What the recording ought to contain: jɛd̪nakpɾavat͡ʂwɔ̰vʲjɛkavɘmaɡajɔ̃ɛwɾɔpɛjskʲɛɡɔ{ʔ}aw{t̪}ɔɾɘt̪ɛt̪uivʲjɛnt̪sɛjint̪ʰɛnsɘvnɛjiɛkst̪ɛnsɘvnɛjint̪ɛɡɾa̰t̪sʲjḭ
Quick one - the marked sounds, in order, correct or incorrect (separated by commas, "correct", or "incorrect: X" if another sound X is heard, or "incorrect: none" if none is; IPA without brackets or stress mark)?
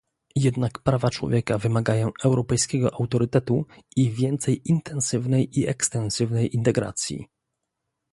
correct, correct